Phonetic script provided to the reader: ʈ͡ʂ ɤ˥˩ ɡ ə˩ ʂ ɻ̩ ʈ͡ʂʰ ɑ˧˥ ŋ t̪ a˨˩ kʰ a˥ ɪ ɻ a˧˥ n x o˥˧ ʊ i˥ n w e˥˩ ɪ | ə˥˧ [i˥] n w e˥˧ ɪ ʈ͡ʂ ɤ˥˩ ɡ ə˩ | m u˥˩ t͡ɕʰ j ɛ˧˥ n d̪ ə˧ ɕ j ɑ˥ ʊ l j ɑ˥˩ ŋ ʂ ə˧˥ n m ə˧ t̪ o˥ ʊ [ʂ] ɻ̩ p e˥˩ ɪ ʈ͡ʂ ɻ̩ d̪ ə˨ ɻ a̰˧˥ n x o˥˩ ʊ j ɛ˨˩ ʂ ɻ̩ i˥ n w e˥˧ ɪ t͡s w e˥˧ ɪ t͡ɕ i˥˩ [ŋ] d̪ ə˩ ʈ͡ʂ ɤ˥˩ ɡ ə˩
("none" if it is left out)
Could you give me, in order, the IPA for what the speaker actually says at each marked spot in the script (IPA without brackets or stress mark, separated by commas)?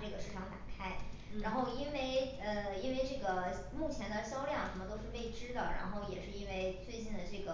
i˥, ʂ, n